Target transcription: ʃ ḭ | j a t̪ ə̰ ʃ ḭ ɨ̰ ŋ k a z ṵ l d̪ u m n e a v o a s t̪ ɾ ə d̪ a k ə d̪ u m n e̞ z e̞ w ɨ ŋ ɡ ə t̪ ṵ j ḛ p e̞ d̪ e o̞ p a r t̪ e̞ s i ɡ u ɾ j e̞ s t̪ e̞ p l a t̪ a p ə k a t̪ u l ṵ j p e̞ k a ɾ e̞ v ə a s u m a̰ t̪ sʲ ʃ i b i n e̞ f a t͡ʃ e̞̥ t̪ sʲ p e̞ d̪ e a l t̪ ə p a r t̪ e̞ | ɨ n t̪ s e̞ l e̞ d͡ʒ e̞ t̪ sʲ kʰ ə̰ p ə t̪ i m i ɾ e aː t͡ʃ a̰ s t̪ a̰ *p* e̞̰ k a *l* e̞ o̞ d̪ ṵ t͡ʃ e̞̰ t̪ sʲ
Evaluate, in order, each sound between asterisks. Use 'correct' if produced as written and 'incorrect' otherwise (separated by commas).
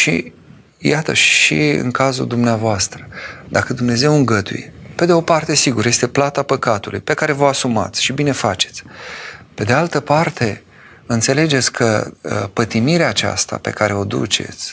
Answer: correct, incorrect